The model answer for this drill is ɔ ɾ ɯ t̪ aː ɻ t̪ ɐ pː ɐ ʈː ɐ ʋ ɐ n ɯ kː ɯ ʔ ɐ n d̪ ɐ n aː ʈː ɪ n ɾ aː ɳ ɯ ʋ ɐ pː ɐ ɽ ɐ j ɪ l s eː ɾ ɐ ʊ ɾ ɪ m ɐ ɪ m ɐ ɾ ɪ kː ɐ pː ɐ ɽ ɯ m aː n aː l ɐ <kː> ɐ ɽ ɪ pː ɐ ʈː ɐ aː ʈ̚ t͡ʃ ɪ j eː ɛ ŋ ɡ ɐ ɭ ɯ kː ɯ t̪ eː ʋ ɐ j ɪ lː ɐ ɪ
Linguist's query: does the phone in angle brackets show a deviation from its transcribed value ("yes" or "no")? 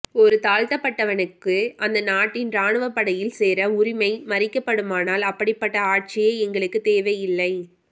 yes